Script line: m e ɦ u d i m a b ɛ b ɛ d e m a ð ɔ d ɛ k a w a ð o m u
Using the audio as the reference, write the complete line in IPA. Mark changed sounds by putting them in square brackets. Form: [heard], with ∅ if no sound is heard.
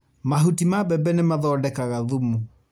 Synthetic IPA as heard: m [a] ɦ u [t] i m a b ɛ b ɛ [n] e m a ð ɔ d ɛ k a [ɣ] a ð [u] m u